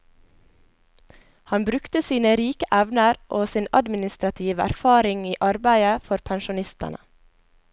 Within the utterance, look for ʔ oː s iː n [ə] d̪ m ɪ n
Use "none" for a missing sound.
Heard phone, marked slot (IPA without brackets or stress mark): ɑ